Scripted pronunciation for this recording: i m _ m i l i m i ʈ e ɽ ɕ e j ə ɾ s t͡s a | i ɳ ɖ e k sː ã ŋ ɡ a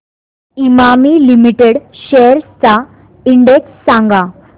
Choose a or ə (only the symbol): a